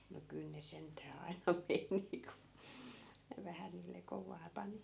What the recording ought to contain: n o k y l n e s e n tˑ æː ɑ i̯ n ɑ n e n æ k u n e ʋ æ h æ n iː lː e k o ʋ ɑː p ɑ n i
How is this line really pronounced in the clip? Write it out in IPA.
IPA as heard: n o k y l n e s e n tˑ æː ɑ i̯ n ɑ m e n i k u n e ʋ æ h æ n iː lː e k o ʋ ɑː p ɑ n i